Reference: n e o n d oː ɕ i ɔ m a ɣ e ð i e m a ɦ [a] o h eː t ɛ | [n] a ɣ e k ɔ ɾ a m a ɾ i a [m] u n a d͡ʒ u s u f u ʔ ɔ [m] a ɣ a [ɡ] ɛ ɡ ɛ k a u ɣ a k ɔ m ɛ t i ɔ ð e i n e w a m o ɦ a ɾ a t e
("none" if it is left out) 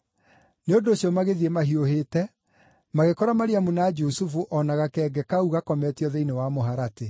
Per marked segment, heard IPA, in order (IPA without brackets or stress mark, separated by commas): i, m, m, n, k